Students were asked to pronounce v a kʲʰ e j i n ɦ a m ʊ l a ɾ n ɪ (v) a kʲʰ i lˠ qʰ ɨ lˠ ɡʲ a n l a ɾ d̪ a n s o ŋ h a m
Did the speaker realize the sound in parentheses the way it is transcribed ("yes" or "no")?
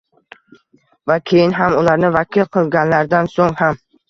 yes